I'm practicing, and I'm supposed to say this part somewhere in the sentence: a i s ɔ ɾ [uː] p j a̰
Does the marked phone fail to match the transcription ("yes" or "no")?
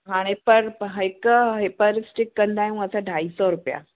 yes